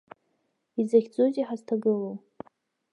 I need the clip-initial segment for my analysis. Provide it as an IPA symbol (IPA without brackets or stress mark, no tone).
i